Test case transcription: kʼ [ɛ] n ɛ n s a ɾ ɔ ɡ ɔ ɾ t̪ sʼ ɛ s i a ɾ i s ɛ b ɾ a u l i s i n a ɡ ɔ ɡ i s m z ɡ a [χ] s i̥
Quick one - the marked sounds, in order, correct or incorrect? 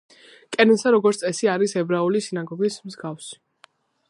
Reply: correct, incorrect: f

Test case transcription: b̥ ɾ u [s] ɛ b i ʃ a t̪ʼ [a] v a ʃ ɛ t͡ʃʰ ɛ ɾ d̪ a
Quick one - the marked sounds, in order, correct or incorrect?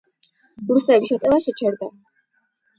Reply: correct, incorrect: ɛ

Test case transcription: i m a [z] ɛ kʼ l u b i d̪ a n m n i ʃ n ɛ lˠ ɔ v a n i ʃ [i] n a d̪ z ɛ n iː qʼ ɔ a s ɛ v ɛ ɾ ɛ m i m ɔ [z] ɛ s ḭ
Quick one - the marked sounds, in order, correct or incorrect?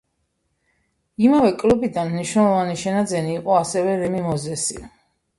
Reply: incorrect: v, incorrect: ɛ, correct

